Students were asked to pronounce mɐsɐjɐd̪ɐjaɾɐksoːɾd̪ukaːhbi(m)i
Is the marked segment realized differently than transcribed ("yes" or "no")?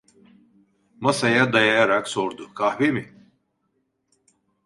no